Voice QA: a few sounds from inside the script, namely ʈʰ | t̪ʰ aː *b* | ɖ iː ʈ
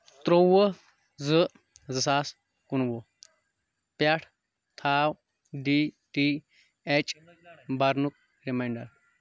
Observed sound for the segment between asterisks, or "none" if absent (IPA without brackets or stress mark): w